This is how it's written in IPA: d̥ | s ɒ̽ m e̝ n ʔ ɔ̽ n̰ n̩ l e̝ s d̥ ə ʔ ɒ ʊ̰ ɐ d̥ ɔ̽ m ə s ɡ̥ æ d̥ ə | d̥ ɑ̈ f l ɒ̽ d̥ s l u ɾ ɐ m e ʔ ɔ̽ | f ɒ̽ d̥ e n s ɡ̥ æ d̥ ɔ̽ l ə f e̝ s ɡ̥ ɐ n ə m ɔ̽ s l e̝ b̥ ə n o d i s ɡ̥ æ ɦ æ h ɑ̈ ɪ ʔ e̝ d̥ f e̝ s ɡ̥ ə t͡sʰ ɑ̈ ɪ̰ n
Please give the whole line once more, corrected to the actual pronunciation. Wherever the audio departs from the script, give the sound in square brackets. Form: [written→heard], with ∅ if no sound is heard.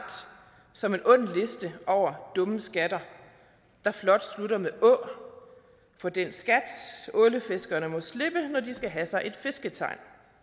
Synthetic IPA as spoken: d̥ | s ɒ̽ m e̝ n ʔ ɔ̽ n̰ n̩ l e̝ s d̥ ə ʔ ɒ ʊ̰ ɐ d̥ ɔ̽ m ə s ɡ̥ æ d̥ [ə→ɐ] | d̥ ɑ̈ f l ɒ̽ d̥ s l u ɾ ɐ m e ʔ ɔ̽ | f ɒ̽ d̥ e n s ɡ̥ æ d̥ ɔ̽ l ə f e̝ s ɡ̥ ɐ n ə m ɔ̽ s l e̝ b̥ ə n [o→ɒ] d i s ɡ̥ æ ɦ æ [h→s] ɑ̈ ɪ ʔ e̝ d̥ f e̝ s ɡ̥ ə t͡sʰ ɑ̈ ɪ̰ n